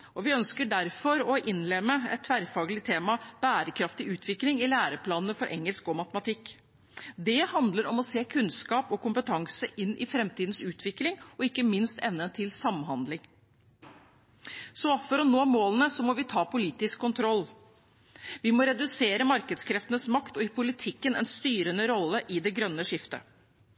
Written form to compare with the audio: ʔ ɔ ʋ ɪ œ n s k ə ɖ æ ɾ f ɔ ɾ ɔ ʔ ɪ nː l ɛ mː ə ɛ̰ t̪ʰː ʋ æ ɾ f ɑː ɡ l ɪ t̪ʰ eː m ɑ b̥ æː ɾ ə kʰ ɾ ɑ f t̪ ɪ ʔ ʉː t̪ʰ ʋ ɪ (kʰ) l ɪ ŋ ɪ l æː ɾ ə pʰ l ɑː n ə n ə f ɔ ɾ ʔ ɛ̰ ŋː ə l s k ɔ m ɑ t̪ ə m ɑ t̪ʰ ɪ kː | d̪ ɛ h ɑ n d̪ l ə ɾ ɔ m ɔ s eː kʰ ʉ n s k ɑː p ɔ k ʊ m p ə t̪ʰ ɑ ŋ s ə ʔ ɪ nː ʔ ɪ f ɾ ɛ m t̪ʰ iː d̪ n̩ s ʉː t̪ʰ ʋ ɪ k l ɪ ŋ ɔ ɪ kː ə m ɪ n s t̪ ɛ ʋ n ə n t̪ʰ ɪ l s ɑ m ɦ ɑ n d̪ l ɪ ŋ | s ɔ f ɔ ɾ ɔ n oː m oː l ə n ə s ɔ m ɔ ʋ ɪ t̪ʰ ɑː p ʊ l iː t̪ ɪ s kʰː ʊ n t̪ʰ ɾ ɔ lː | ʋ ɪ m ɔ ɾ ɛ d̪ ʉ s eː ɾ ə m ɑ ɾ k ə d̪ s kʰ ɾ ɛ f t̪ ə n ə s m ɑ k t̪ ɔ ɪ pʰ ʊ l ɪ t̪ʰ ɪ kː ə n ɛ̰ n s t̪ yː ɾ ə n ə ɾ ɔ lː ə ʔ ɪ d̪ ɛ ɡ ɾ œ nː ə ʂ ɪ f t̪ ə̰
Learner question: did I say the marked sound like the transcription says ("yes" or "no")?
no